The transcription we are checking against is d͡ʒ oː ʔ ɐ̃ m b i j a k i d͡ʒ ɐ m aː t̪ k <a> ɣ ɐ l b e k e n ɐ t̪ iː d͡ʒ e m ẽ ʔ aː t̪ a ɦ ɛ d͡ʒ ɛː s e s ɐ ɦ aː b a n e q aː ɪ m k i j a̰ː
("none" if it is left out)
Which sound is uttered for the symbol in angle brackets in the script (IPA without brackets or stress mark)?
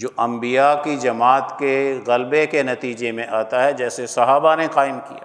e